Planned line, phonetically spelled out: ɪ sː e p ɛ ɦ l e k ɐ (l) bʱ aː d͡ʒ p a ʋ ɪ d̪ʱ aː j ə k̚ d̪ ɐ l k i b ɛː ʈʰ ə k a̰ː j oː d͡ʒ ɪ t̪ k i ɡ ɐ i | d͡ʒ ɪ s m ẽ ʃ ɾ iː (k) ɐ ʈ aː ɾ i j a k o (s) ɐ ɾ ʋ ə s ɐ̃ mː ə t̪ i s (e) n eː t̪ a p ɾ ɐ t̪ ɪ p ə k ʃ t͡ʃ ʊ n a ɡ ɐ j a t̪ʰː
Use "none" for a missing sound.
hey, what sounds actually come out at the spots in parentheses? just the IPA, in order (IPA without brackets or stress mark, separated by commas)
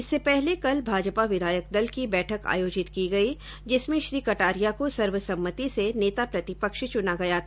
l, k, s, e